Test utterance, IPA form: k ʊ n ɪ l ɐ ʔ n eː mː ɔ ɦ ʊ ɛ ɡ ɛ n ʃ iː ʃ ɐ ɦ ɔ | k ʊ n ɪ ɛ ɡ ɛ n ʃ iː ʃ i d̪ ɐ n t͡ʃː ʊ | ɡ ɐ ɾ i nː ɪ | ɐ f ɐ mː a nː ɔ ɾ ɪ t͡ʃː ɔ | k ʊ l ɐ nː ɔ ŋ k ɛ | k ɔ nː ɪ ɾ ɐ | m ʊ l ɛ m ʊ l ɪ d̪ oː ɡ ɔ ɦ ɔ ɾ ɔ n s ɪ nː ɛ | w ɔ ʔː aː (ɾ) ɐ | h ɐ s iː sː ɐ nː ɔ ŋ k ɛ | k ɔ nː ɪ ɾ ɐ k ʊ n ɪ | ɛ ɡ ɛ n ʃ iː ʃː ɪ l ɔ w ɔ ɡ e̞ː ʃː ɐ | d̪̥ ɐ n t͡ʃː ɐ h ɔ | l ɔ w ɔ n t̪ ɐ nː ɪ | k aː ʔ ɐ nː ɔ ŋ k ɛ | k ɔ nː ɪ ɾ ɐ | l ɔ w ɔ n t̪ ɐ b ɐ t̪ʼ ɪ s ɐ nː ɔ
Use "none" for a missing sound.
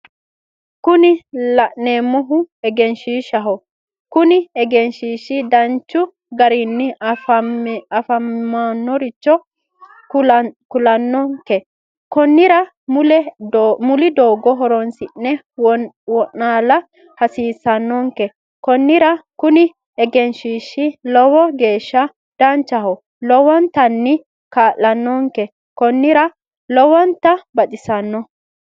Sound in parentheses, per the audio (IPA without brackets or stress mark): l